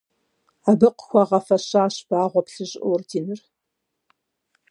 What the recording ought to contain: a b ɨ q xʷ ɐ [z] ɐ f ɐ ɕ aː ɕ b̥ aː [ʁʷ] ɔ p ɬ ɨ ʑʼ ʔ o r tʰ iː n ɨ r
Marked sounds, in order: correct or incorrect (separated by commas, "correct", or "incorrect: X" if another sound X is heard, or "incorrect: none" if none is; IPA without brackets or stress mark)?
incorrect: ʁ, correct